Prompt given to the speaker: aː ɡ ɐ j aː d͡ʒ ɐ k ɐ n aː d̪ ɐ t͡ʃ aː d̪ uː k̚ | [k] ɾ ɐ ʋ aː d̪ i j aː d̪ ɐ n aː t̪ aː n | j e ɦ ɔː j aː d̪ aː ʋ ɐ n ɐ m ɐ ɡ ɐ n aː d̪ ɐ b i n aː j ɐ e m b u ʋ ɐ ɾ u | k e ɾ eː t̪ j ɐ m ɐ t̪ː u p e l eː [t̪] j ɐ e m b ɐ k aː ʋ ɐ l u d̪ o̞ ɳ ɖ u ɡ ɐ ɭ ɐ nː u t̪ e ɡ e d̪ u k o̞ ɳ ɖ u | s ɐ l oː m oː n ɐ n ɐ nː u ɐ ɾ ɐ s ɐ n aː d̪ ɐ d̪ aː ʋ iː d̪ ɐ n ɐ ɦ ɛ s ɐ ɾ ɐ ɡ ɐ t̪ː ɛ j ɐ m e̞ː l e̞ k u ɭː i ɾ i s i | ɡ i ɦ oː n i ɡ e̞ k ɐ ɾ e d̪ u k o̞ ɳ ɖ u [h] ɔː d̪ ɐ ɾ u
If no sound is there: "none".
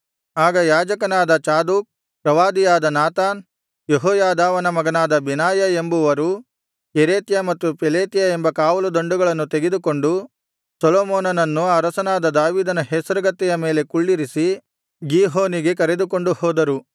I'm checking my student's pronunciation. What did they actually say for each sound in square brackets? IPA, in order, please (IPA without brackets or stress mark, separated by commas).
p, t̪, h